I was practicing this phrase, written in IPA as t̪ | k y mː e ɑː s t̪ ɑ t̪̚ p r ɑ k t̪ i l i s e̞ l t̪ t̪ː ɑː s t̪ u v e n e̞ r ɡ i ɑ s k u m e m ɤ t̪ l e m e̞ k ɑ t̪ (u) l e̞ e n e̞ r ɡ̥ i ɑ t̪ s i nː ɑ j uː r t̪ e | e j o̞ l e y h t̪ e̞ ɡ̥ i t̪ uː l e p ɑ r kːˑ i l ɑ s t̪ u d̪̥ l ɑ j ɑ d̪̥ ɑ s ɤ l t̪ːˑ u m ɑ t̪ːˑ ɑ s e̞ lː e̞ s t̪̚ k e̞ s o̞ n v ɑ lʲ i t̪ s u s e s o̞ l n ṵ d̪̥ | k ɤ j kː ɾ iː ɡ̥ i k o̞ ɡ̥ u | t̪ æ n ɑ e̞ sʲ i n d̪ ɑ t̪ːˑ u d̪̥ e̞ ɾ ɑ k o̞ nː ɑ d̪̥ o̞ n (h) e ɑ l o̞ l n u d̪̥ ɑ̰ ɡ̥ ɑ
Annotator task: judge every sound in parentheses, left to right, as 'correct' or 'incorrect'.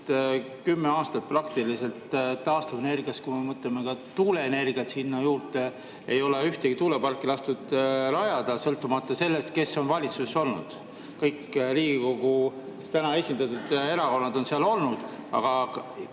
incorrect: uː, incorrect: s

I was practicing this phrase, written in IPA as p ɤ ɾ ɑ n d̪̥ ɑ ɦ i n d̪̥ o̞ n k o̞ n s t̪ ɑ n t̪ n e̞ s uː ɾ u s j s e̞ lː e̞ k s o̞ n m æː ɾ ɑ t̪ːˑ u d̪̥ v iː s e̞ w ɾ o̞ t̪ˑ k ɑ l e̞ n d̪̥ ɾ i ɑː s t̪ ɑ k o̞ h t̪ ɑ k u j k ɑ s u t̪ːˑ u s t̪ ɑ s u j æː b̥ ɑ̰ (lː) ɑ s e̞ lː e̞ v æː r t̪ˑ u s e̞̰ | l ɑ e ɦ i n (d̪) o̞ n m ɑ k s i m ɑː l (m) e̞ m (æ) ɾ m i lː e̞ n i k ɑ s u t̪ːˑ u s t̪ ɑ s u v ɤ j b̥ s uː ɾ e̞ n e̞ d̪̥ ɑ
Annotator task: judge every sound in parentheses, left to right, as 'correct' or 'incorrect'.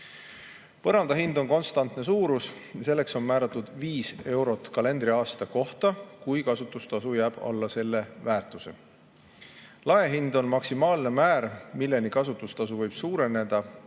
correct, correct, incorrect: n, incorrect: æː

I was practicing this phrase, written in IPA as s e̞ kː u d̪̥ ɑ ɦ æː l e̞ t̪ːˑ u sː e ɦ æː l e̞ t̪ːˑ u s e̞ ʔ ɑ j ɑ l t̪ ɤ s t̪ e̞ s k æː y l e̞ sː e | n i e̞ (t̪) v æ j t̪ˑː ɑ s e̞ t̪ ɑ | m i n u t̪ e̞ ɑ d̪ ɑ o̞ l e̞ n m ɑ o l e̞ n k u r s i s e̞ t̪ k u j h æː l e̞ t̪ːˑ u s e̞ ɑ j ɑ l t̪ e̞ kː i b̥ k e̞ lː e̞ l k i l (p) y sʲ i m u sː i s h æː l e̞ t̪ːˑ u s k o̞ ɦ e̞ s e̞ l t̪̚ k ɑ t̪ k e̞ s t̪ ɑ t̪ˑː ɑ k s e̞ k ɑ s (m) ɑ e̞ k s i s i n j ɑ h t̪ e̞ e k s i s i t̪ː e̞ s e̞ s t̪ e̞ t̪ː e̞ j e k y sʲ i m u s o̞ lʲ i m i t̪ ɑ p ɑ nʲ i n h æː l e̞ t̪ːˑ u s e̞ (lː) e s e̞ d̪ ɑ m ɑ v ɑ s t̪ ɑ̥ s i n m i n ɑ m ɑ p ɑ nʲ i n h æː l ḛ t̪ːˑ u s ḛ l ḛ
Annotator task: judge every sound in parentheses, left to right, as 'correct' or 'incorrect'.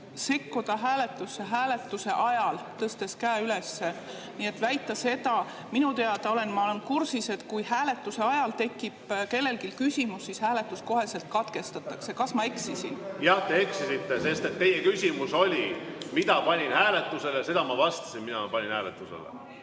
correct, incorrect: k, correct, incorrect: l

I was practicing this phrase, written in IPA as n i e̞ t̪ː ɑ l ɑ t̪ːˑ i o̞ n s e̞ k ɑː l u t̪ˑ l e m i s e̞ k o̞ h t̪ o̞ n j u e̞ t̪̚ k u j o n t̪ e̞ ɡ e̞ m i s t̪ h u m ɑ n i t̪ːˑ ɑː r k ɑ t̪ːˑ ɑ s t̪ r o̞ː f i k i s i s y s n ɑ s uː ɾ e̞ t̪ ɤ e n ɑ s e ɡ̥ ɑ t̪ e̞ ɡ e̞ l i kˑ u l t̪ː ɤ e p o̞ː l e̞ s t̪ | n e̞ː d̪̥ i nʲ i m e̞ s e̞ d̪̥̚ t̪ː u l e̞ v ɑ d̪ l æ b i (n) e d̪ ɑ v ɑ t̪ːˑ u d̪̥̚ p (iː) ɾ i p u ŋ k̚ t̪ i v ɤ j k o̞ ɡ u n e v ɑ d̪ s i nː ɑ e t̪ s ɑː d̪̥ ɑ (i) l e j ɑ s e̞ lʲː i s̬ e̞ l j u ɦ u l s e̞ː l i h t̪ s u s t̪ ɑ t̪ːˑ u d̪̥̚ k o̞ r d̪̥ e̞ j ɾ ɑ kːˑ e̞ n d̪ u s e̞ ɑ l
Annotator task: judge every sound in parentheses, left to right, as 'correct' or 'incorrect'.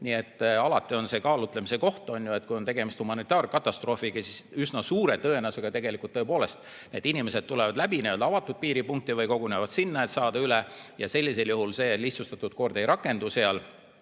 correct, correct, incorrect: y

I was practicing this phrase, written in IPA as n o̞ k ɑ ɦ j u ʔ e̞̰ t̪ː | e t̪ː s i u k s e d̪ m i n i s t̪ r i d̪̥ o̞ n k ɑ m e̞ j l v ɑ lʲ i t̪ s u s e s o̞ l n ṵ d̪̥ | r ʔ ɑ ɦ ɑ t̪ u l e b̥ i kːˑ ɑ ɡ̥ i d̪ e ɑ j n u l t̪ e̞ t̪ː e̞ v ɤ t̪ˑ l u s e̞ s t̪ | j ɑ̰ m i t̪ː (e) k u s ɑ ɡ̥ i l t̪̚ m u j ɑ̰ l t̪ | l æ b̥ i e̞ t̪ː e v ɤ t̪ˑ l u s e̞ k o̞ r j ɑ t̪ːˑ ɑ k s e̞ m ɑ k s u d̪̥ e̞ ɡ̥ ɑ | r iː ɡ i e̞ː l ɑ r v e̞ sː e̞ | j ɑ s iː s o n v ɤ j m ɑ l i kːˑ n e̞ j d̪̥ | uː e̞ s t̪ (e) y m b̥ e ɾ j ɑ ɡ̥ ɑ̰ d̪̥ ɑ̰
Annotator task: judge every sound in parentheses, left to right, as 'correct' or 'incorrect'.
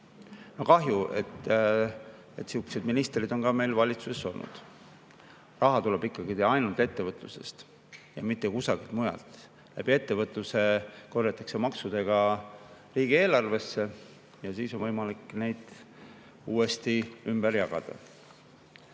correct, incorrect: i

